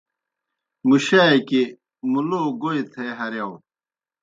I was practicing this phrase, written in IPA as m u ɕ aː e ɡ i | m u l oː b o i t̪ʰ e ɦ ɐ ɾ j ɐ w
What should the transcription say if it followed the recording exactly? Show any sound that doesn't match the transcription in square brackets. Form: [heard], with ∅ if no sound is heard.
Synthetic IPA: m u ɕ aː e [k] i | m u l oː [ɡ] o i t̪ʰ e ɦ ɐ ɾ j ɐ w